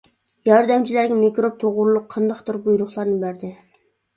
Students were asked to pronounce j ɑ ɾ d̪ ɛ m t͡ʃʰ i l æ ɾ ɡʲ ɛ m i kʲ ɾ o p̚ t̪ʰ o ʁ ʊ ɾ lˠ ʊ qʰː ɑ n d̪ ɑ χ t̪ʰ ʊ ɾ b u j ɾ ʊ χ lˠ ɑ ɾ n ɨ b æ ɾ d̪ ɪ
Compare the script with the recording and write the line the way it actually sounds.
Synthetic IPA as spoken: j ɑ ɾ d̪ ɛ m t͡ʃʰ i l æ ɾ ɡʲ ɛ m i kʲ ɾ o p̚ t̪ʰ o ʁ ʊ ɾ lˠ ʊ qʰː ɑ n d̪ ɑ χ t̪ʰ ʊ ɾ b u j ɾ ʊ χ lˠ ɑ ɾ n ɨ b æ ɾ d̪ ɪ